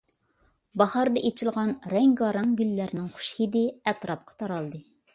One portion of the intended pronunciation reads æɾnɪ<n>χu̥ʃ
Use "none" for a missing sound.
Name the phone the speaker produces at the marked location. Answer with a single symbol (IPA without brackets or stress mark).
ŋ